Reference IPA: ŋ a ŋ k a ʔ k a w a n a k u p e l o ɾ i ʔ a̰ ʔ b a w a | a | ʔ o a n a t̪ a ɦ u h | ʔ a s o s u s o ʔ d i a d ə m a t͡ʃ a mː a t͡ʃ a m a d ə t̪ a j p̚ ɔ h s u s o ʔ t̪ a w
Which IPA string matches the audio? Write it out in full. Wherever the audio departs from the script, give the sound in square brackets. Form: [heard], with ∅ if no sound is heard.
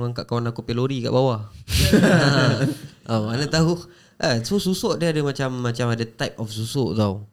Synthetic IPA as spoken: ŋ a ŋ k a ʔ k a w a n a k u p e l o ɾ i [k] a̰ ʔ b a w a | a | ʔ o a n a t̪ a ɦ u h | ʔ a s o s u s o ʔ d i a d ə m a t͡ʃ a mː a t͡ʃ a m a d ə t̪ a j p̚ ɔ [f] s u s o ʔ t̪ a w